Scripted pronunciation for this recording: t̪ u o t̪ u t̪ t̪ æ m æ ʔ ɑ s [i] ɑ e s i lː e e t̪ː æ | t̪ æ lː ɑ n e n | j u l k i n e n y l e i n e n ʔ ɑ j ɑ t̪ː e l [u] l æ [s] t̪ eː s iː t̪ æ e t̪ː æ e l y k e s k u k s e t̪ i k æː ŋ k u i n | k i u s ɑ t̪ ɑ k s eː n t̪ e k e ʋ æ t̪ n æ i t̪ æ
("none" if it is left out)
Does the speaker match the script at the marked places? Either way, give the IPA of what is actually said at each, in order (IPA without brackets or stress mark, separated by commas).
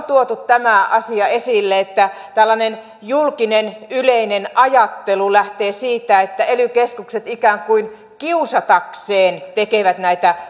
i, u, h